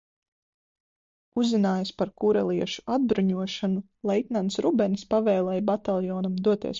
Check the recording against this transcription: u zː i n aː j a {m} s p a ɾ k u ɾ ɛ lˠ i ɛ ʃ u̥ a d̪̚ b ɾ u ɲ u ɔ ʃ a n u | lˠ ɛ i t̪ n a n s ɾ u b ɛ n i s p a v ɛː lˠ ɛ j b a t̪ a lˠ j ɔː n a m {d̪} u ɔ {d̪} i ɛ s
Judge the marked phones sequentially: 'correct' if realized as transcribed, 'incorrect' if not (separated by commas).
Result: incorrect, correct, incorrect